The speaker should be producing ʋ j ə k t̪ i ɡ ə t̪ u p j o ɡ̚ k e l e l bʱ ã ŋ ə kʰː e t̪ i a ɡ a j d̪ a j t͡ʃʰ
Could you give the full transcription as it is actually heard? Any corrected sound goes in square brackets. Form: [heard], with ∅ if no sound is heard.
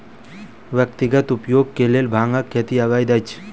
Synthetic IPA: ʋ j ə k t̪ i ɡ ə t̪ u p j o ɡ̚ k e l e l bʱ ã ŋ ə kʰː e t̪ i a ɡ a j d̪ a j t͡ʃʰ